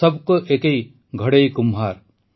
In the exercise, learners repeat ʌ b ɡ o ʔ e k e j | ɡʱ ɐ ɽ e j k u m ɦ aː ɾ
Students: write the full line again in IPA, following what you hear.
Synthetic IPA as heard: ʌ b k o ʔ e k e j | ɡʱ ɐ ɽ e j k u m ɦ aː ɾ